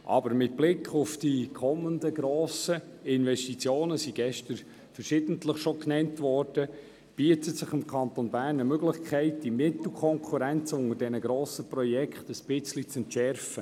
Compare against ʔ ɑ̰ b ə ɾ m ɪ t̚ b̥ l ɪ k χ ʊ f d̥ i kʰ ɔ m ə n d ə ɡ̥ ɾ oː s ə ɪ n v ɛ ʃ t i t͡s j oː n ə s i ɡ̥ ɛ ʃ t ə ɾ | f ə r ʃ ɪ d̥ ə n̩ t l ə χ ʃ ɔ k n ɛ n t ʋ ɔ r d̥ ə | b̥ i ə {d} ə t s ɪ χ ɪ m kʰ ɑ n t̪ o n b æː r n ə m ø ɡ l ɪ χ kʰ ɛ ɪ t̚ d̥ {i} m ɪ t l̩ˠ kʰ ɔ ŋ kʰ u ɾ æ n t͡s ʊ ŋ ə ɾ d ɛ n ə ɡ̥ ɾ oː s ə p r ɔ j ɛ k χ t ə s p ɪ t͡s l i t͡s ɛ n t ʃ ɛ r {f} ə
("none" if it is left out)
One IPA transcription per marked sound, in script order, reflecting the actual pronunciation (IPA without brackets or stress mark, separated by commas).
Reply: t, i, f